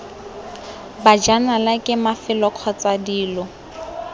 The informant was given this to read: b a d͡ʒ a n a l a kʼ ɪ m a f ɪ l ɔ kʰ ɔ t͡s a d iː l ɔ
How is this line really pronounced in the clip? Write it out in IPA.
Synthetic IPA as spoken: b a d͡ʒ a n a l a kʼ ɪ m a f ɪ l ɔ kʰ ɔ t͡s a d iː l ɔ